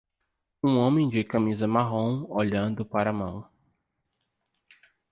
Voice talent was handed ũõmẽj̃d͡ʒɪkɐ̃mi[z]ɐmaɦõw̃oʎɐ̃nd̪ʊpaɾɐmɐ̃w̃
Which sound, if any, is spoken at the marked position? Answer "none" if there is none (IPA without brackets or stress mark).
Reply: z